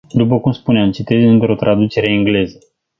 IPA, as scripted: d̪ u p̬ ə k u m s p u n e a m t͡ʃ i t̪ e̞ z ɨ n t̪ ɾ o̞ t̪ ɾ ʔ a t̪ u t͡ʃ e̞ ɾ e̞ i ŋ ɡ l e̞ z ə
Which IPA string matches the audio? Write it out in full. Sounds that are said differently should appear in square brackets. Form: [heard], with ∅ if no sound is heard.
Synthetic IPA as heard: d̪ u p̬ ə k u m s p u n e a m t͡ʃ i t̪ e̞ z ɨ n t̪ ɾ o̞ t̪ ɾ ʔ a [d̪] u t͡ʃ e̞ ɾ e̞ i ŋ ɡ l e̞ z ə